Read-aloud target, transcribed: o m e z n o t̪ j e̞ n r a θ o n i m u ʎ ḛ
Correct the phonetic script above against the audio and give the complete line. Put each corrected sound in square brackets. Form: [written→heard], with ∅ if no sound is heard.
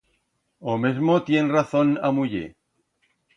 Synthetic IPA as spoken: o m e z [n→m] o t̪ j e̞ n r a θ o n [i→a] m u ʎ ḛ